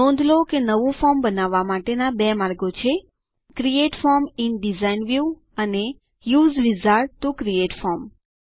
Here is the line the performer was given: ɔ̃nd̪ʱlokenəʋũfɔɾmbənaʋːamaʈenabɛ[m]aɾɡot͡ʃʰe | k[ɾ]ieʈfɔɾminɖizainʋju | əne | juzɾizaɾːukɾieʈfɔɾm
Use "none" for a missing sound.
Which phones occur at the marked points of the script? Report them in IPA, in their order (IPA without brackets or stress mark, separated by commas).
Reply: m, ɾ